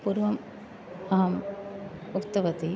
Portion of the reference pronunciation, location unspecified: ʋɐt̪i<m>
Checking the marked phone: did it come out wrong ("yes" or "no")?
yes